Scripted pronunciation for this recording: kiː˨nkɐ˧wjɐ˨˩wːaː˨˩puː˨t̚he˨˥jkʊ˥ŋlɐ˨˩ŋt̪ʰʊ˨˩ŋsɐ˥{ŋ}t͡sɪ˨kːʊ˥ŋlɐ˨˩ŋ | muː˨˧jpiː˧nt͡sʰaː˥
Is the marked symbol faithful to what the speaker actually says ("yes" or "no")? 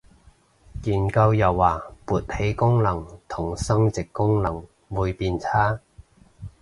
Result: yes